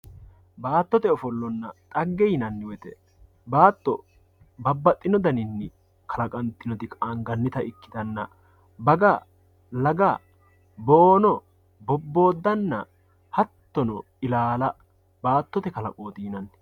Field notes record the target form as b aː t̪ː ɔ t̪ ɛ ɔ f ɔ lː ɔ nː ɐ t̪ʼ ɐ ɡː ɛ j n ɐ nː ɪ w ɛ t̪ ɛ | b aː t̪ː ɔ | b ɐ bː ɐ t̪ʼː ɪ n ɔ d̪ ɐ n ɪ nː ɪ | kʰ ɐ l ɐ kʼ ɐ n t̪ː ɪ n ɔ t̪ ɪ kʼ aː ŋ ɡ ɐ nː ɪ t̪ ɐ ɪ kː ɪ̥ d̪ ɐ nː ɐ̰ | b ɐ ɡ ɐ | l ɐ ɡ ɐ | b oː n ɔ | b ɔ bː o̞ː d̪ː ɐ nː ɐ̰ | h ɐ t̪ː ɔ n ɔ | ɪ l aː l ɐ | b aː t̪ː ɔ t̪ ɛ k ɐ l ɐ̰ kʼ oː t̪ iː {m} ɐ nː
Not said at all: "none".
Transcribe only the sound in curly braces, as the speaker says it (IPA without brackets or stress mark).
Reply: n